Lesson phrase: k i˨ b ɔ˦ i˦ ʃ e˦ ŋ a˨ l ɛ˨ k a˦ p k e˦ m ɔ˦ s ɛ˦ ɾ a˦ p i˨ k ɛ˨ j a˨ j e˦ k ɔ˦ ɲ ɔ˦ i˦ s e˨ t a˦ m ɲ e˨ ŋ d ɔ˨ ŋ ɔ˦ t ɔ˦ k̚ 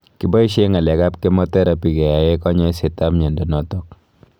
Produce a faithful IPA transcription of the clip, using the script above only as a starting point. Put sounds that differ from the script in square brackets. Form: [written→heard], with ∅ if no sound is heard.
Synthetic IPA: k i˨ b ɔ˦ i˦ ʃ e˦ ŋ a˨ l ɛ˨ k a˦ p k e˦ m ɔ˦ [s→t] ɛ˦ ɾ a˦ p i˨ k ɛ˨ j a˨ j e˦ k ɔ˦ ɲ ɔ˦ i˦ s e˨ t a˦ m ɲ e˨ [ŋ→n] d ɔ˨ [ŋ→n] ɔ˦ t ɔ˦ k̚